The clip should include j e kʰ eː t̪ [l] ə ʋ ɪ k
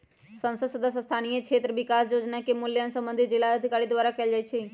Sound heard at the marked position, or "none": ɾ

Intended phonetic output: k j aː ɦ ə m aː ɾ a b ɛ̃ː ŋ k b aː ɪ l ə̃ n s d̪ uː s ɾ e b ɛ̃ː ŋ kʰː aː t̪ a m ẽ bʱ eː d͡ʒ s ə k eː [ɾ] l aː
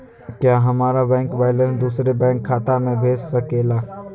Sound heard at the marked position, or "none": none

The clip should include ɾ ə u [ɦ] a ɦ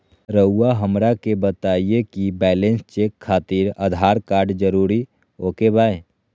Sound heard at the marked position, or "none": none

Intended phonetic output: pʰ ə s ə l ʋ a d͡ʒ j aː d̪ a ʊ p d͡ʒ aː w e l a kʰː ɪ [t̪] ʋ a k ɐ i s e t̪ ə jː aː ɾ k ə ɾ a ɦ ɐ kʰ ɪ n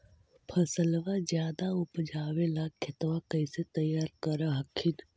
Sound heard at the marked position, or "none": t̪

